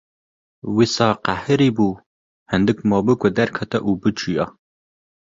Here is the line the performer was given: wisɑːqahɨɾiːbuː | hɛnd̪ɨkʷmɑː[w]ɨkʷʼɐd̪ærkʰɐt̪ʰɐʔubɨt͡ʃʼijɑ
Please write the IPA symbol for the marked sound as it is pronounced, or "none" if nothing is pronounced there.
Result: b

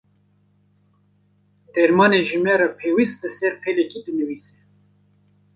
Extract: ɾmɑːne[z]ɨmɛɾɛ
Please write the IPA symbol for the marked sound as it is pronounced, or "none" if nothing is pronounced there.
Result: ʒ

